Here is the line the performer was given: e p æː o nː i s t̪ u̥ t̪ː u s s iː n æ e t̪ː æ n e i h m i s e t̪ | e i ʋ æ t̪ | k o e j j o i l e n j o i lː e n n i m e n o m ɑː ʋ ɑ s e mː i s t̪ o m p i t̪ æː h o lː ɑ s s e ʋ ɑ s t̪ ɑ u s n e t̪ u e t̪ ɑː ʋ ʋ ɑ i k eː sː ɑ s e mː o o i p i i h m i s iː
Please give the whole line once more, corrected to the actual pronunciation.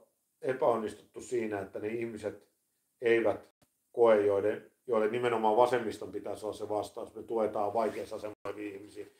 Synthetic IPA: e p æ o nː i s t̪ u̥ t̪ː u s s iː n æ e t̪ː æ n e i h m i s e t̪ | e i ʋ æ t̪ | k o e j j o i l e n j o i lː e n n i m e n o m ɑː ʋ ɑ s e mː i s t̪ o m p i t̪ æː s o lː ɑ s s e ʋ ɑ s t̪ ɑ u s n e t̪ u e t̪ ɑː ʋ ʋ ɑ i k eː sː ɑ s e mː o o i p i i h m i s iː